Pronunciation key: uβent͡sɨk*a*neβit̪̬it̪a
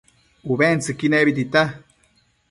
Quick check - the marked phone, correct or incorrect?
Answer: incorrect